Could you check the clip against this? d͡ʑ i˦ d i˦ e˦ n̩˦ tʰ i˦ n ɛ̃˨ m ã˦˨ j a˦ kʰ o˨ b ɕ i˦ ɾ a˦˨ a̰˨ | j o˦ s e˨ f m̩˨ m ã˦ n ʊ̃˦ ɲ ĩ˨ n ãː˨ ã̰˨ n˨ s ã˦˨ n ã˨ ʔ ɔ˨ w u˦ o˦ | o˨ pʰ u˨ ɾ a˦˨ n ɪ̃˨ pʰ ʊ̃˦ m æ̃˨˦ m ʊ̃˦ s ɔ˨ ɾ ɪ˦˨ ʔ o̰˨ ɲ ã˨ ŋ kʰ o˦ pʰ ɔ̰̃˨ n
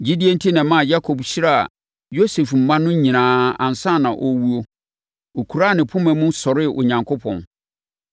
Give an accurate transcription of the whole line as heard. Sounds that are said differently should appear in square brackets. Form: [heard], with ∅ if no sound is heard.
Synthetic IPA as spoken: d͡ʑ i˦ d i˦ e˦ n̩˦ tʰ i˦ n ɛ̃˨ m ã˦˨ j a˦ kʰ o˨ b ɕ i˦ ɾ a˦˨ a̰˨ | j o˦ s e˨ f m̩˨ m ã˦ n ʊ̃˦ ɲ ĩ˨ n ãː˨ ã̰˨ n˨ s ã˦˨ n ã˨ ʔ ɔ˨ w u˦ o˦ | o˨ [kʰ] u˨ ɾ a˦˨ n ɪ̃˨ pʰ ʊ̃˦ m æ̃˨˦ m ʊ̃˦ s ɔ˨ ɾ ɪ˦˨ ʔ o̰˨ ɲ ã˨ ŋ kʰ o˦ pʰ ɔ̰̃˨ n

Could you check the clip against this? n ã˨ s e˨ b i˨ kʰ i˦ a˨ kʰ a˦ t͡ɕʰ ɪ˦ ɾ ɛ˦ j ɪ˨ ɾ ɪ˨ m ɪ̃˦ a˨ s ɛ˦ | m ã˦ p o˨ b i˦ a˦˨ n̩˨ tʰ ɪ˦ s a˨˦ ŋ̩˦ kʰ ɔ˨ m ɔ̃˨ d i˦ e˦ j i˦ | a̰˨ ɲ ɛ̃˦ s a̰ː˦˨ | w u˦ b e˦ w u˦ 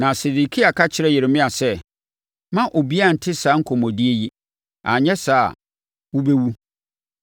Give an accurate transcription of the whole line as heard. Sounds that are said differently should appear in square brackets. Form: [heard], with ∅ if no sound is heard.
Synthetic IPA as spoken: n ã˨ s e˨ [d] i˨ kʰ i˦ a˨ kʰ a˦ t͡ɕʰ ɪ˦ ɾ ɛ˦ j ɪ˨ ɾ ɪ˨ m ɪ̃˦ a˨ s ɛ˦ | m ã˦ [ʔ] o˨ b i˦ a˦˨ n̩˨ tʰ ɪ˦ s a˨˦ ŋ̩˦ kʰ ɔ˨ m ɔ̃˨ d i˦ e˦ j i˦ | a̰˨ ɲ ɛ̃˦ s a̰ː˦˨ | w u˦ b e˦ w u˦

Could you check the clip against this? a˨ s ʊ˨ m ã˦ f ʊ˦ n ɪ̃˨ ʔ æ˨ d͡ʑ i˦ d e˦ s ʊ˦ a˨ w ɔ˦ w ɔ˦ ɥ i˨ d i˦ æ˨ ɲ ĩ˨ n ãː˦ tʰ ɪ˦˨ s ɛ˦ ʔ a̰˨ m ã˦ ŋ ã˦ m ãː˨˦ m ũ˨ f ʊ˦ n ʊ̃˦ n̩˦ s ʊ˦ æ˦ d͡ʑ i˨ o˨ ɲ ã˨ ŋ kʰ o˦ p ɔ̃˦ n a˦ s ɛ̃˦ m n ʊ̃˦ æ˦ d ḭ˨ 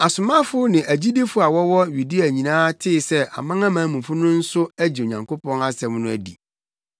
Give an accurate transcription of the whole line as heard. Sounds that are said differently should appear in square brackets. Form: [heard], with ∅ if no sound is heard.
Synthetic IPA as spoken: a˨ s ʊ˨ m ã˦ f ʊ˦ n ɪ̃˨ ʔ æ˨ d͡ʑ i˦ d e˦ [f] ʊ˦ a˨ w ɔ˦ w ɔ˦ ɥ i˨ d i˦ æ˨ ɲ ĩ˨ n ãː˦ tʰ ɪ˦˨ s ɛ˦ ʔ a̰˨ m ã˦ ŋ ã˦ m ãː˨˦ m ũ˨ f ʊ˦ n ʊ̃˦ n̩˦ s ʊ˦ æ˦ d͡ʑ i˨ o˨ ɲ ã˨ ŋ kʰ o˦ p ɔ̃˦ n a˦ s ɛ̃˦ m n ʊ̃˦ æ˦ d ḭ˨

